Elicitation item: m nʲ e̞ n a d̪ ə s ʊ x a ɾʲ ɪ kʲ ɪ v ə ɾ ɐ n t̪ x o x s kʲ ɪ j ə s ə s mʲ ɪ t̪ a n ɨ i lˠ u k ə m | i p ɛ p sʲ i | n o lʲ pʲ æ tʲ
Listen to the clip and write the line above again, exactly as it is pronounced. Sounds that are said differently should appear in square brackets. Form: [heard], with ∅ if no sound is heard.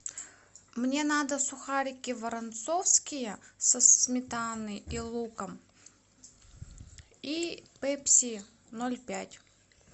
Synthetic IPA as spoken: m nʲ e̞ n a d̪ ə s ʊ x a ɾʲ ɪ kʲ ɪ v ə ɾ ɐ n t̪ [s] o [f] s kʲ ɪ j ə s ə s mʲ ɪ t̪ a n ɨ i lˠ u k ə m | i p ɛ p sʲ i | n o lʲ pʲ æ tʲ